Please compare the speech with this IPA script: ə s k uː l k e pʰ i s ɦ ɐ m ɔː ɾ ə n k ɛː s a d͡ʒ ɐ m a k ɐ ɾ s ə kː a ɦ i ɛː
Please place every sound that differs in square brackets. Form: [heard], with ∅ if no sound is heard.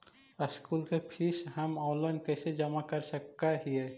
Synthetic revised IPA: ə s k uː l k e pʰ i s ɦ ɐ m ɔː [l] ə n k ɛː s [e] d͡ʒ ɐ m a k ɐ ɾ s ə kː a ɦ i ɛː